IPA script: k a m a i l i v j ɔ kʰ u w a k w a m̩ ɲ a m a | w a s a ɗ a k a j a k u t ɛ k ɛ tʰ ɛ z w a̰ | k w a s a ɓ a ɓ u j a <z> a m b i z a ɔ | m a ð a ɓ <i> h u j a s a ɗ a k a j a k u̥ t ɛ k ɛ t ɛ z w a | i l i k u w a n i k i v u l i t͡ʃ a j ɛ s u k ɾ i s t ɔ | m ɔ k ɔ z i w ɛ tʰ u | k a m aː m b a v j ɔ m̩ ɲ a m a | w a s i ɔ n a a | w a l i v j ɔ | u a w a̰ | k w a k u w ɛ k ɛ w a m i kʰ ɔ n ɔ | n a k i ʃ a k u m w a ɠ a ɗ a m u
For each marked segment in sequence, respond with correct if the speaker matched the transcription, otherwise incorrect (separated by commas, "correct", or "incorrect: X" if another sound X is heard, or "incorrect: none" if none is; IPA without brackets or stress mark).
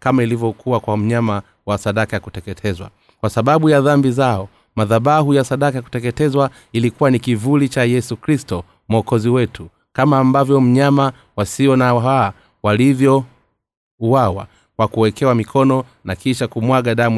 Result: incorrect: ð, incorrect: a